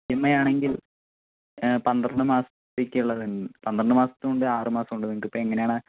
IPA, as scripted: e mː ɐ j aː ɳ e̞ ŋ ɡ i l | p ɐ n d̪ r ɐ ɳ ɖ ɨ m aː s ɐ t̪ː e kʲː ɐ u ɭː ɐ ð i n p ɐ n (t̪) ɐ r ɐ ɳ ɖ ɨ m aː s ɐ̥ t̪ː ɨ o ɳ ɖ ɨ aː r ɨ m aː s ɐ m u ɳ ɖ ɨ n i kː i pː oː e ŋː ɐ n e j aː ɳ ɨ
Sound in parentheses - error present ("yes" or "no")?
yes